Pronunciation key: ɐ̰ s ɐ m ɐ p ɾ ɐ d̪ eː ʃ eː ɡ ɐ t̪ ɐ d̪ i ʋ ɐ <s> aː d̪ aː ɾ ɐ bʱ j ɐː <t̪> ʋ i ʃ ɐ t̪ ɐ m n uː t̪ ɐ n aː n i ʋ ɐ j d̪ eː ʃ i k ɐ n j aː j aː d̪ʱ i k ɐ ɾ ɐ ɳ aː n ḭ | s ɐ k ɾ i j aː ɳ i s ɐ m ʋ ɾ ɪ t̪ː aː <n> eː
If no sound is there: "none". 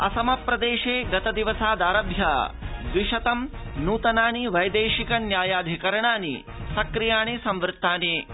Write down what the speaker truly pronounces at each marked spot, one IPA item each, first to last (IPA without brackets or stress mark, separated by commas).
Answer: s, d̪, n